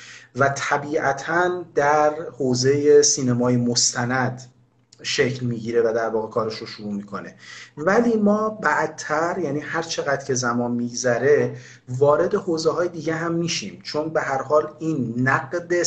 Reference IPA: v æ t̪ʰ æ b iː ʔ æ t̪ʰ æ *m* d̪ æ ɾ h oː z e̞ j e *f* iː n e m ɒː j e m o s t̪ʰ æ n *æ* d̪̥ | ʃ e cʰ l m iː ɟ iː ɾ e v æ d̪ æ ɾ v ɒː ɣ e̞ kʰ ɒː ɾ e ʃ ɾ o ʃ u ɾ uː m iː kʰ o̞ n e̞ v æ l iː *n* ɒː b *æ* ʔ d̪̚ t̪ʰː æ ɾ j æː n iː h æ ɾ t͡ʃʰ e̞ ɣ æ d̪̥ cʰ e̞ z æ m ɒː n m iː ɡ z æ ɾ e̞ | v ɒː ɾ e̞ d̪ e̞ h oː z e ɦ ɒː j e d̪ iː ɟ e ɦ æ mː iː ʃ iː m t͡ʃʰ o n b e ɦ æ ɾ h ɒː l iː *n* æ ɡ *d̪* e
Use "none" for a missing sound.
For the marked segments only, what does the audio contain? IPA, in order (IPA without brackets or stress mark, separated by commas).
n, s, æ, m, æ, nː, d̪